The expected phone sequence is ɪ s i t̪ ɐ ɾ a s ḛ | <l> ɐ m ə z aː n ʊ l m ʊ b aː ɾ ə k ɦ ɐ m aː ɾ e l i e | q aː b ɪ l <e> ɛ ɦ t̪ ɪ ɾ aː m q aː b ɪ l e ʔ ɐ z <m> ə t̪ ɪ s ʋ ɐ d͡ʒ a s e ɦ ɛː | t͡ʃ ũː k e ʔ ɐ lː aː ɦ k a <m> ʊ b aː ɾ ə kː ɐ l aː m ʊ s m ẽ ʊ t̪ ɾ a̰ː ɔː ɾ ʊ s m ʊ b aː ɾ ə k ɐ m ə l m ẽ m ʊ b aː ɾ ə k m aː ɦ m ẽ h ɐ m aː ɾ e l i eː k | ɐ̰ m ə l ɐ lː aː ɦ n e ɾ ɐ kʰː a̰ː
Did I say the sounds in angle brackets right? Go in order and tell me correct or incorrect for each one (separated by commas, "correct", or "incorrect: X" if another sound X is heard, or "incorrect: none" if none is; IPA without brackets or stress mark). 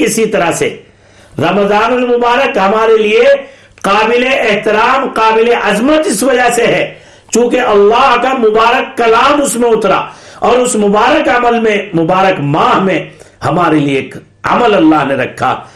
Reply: incorrect: ɾ, correct, correct, correct